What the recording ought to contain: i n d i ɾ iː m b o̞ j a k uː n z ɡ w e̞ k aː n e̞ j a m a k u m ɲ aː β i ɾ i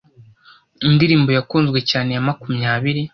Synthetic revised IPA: i n d i ɾ iː m b o̞ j a k uː n z ɡ w e̞ c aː n e̞ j a m a k u m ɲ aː β i ɾ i